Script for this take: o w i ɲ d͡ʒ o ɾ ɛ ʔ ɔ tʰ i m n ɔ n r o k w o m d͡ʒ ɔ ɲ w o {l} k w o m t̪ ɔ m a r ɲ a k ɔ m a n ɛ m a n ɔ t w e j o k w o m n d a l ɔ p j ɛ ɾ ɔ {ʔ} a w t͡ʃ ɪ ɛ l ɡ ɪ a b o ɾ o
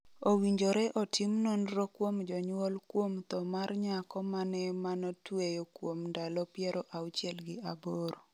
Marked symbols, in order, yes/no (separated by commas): yes, yes